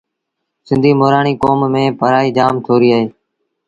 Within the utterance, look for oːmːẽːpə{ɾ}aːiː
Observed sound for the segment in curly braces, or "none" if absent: ɾ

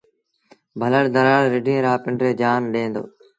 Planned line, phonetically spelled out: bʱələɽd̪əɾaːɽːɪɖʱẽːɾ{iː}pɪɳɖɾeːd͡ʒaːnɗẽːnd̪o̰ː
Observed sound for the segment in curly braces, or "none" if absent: aː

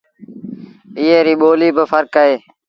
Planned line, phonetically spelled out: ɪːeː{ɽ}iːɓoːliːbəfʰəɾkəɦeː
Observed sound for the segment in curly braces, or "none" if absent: ɾ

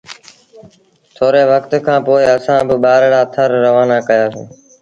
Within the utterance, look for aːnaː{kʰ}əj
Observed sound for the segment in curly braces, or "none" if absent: k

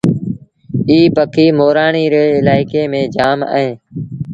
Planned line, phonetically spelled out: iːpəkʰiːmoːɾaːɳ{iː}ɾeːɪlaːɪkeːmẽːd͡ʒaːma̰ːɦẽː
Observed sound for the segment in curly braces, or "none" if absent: iː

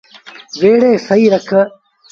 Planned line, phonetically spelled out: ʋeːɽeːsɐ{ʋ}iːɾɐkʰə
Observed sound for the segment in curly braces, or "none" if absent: none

